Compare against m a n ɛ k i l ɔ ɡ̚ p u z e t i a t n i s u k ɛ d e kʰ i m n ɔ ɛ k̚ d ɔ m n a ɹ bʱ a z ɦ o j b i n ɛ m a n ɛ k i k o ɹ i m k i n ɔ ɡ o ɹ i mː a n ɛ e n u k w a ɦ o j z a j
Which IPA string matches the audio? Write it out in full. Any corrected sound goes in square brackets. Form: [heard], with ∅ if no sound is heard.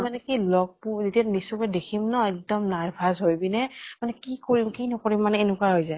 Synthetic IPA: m a n ɛ k i l ɔ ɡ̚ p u z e t i a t n i s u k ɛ d e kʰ i m n ɔ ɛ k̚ d ɔ m n a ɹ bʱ a z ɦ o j b i n ɛ m a n ɛ k i k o ɹ i m k i n ɔ [k] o ɹ i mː a n ɛ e n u k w a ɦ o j z a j